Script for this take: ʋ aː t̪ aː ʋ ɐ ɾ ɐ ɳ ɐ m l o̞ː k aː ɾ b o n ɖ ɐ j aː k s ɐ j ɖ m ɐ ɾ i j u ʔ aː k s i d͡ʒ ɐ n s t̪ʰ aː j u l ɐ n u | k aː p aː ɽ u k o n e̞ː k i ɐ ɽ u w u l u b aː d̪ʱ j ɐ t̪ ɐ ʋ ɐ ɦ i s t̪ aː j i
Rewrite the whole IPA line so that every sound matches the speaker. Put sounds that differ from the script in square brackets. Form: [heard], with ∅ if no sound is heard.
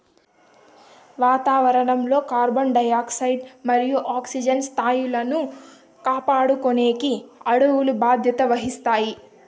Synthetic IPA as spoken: ʋ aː t̪ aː ʋ ɐ ɾ ɐ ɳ ɐ m l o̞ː k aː ɾ b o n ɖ ɐ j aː k s ɐ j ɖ m ɐ ɾ i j u ʔ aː k s i d͡ʒ ɐ n s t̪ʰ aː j u l ɐ n u | k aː p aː ɽ u k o n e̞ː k i ɐ ɽ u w u l u b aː d̪ʱ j ɐ t̪ ɐ ʋ ɐ ɦ i s t̪ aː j i

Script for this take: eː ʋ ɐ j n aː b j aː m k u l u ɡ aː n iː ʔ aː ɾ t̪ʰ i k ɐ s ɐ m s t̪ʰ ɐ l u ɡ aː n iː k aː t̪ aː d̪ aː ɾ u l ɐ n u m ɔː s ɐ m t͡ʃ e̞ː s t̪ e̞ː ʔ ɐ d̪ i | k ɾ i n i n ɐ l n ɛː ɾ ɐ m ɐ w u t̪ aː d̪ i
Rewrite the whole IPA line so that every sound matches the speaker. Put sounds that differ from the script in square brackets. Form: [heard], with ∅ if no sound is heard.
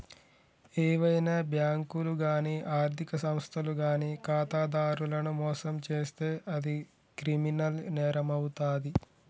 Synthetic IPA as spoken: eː ʋ ɐ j n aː b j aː [ŋ] k u l u ɡ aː n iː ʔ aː ɾ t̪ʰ i k ɐ s ɐ m s t̪ʰ ɐ l u ɡ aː n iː k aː t̪ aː d̪ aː ɾ u l ɐ n u m ɔː s ɐ m t͡ʃ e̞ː s t̪ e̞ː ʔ ɐ d̪ i | k ɾ i [m] i n ɐ l n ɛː ɾ ɐ m ɐ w u t̪ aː d̪ i

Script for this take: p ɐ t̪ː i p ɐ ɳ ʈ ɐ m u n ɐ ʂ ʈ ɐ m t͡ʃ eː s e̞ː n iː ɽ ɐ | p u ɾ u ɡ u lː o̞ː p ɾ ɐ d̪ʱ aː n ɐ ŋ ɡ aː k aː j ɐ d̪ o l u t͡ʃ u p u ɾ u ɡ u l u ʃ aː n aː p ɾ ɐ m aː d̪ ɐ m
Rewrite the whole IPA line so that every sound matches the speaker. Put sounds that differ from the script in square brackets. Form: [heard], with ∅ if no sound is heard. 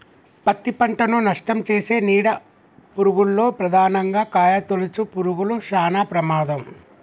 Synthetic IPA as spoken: p ɐ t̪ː i p ɐ ɳ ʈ ɐ [n] u n ɐ ʂ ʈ ɐ m t͡ʃ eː s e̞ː n iː ɽ ɐ | p u ɾ u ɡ u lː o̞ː p ɾ ɐ d̪ʱ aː n ɐ ŋ ɡ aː k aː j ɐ [t̪] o l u t͡ʃ u p u ɾ u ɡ u l u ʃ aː n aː p ɾ ɐ m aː d̪ ɐ m

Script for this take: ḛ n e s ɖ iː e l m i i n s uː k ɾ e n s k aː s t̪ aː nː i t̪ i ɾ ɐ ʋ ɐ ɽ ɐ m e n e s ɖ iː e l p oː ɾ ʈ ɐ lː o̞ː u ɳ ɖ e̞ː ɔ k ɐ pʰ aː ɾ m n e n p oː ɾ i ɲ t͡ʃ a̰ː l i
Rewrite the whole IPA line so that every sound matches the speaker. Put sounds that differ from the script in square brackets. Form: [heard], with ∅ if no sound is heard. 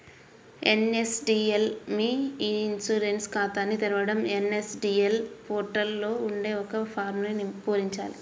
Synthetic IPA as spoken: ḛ n e s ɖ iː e l m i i n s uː [∅] ɾ e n s k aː [∅] t̪ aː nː i t̪ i ɾ ɐ ʋ ɐ ɽ ɐ m e n e s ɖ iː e l p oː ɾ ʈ ɐ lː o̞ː u ɳ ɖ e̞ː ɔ k ɐ pʰ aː ɾ m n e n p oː ɾ i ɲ t͡ʃ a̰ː l i

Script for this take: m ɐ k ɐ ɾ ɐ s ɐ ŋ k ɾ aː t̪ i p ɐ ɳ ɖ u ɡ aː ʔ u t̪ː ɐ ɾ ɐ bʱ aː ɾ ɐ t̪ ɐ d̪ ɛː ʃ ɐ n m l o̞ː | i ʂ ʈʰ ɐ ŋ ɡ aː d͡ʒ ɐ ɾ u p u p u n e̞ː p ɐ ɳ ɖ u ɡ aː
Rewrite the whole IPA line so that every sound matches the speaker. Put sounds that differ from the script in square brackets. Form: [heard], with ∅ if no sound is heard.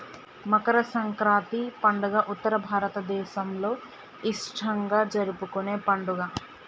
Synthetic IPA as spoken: m ɐ k ɐ ɾ ɐ s ɐ ŋ k ɾ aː t̪ i p ɐ ɳ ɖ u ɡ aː ʔ u t̪ː ɐ ɾ ɐ bʱ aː ɾ ɐ t̪ ɐ d̪ ɛː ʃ ɐ [∅] m l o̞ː | i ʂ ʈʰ ɐ ŋ ɡ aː d͡ʒ ɐ ɾ u p u [k] u n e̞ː p ɐ ɳ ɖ u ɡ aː

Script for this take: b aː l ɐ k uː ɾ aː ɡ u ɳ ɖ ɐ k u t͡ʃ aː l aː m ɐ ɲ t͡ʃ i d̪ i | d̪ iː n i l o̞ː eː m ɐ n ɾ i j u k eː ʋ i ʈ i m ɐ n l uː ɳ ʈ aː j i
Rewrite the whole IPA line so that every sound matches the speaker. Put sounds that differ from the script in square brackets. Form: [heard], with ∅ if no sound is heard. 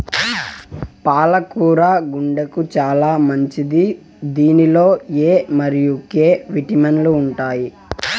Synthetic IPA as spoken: [p] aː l ɐ k uː ɾ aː ɡ u ɳ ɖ ɐ k u t͡ʃ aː l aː m ɐ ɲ t͡ʃ i d̪ i | d̪ iː n i l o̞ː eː m ɐ [∅] ɾ i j u k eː ʋ i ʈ i m ɐ n l uː ɳ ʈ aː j i

